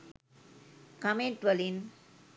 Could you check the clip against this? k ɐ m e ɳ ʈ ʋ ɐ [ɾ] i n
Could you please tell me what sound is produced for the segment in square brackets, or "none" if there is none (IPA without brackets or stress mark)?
l